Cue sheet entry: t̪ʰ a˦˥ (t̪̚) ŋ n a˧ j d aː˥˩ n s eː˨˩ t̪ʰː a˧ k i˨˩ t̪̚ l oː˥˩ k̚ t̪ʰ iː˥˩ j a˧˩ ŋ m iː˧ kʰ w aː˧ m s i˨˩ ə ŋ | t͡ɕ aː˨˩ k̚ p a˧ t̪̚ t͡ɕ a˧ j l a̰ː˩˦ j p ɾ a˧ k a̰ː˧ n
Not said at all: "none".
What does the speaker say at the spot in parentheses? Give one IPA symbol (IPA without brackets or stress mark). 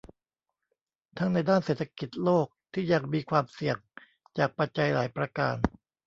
none